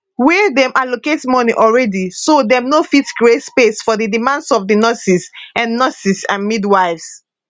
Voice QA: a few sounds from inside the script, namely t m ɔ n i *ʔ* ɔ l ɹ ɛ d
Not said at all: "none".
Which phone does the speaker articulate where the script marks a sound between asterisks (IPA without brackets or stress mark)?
ʔ